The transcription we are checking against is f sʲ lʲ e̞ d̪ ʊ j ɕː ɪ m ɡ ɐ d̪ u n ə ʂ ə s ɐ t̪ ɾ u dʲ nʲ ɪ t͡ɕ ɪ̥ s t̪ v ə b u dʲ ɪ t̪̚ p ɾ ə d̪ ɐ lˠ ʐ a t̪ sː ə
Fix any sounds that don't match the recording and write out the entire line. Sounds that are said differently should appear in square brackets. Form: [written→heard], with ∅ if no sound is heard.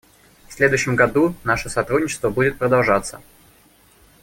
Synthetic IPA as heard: f sʲ lʲ e̞ d̪ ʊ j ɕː ɪ m ɡ ɐ d̪ u n [ə→a] ʂ ə s ɐ t̪ ɾ u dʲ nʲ ɪ t͡ɕ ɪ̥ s t̪ v ə b u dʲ ɪ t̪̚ p ɾ ə d̪ ɐ lˠ ʐ a t̪ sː ə

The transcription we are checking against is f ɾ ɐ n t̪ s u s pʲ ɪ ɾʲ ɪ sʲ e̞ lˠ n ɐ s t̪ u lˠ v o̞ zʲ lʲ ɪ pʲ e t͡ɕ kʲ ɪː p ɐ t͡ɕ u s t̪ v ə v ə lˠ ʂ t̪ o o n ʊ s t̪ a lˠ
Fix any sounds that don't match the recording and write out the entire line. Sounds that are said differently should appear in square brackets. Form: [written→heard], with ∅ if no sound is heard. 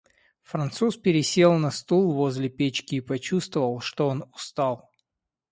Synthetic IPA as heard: f ɾ ɐ n t̪ s u s pʲ ɪ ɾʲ ɪ sʲ e̞ lˠ n ɐ s t̪ u lˠ v o̞ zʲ lʲ ɪ pʲ e t͡ɕ kʲ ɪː p ɐ t͡ɕ u s t̪ v ə v ə lˠ ʂ t̪ o o n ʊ s t̪ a lˠ

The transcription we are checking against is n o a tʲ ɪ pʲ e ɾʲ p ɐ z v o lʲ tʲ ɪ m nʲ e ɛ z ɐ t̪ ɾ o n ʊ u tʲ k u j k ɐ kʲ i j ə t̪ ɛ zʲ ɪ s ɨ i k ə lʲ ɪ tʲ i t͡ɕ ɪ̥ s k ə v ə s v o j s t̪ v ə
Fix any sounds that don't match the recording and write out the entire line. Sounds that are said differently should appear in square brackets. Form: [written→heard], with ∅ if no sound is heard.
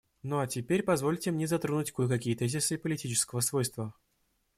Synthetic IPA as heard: n o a tʲ ɪ pʲ e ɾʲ p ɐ z v o lʲ tʲ ɪ m nʲ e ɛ z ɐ t̪ ɾ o n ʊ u tʲ k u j k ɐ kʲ i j ə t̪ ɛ zʲ ɪ s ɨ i [k→p] ə lʲ ɪ tʲ i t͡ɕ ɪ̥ s k ə v ə s v o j s t̪ v ə

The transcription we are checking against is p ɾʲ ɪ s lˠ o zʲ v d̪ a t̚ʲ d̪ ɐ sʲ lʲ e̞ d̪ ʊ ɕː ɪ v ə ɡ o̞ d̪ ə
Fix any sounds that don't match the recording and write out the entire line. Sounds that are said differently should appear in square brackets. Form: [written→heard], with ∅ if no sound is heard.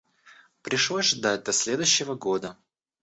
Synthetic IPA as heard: p ɾʲ ɪ [s→ʂ] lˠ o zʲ [v→ʐ] d̪ a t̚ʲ d̪ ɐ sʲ lʲ e̞ d̪ ʊ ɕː ɪ v ə ɡ o̞ d̪ ə

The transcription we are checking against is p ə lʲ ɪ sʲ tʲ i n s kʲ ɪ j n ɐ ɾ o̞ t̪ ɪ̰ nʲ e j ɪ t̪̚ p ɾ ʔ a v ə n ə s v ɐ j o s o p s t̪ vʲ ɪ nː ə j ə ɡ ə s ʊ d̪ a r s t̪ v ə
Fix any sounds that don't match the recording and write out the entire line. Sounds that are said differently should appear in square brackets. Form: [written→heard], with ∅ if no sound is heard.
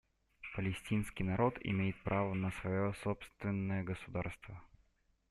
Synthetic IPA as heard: p ə lʲ ɪ sʲ tʲ i n s kʲ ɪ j n ɐ ɾ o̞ t̪ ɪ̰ [nʲ→mʲ] e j ɪ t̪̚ p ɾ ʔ a v ə n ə s v ɐ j o s o p s t̪ vʲ ɪ nː ə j ə ɡ ə s ʊ d̪ a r s t̪ v ə

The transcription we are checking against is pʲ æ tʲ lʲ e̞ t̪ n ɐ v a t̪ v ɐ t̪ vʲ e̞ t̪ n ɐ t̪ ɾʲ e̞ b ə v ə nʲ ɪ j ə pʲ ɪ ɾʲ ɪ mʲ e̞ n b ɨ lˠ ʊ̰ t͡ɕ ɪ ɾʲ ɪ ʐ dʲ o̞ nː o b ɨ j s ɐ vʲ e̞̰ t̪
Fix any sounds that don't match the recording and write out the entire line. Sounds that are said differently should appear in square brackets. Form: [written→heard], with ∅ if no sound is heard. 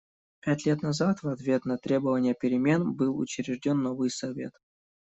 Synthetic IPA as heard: pʲ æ tʲ lʲ e̞ t̪ n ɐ [v→z] a t̪ v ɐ t̪ vʲ e̞ t̪ n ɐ t̪ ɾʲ e̞ b ə v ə nʲ ɪ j ə pʲ ɪ ɾʲ ɪ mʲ e̞ n b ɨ lˠ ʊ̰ t͡ɕ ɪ ɾʲ ɪ ʐ dʲ o̞ nː o [b→v] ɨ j s ɐ vʲ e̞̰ t̪

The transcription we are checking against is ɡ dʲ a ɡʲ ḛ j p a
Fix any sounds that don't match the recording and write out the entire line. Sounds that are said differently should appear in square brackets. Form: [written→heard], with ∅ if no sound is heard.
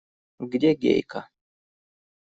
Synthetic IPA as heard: ɡ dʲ [a→e] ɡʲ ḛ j [p→k] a

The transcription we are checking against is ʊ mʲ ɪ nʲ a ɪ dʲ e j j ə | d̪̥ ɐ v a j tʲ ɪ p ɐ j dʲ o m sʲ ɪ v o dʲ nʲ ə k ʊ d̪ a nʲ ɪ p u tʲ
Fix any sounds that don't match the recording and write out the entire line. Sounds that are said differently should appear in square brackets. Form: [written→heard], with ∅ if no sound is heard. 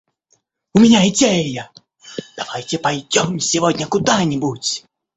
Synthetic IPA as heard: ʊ mʲ ɪ nʲ a ɪ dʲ e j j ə | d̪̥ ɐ v a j tʲ ɪ p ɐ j dʲ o m sʲ ɪ v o dʲ nʲ ə k ʊ d̪ a nʲ ɪ [p→b] u tʲ

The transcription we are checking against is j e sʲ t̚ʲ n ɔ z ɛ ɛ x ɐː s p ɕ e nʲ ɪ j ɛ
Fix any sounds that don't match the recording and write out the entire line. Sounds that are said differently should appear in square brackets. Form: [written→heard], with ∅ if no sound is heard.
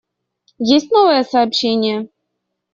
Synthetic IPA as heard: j e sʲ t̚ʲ n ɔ [z→v] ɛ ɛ [x→s] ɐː [s→∅] p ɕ e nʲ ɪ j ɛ

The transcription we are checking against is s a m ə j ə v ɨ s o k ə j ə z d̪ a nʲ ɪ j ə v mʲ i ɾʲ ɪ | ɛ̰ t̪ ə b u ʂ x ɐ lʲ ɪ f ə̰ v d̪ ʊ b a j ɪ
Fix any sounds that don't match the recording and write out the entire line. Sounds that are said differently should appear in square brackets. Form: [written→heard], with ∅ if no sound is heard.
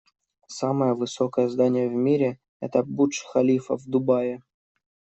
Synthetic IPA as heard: s a m ə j ə v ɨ s o k ə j ə z d̪ a nʲ ɪ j ə v mʲ i ɾʲ ɪ | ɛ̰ t̪ ə b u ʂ x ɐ lʲ [ɪ→i] f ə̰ v d̪ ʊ b a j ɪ

